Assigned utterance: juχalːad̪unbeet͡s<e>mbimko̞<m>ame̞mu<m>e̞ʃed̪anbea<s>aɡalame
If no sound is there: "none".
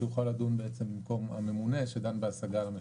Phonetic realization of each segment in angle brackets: e, m, n, s

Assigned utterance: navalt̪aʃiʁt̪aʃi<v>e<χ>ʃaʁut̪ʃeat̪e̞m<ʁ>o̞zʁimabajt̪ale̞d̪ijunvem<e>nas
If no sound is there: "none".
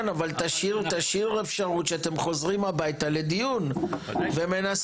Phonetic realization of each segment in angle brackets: ʁ, f, χ, e

